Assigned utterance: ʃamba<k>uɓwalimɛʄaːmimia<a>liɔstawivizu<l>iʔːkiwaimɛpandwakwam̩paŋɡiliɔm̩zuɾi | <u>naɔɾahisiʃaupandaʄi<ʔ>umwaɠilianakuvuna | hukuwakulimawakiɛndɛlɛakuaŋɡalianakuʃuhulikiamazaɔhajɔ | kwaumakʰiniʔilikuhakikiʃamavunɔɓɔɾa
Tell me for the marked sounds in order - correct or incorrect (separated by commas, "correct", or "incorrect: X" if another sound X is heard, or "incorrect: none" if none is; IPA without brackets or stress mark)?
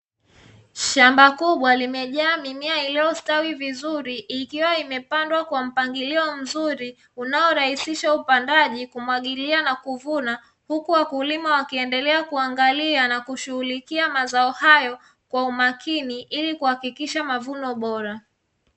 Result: correct, incorrect: i, incorrect: ɾ, correct, incorrect: k